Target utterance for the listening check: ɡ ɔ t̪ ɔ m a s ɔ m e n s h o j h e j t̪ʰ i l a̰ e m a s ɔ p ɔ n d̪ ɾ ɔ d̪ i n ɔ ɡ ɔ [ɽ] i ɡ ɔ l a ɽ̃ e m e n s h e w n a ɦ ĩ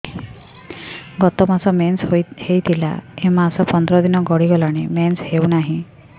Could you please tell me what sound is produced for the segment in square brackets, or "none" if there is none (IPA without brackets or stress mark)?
ɽ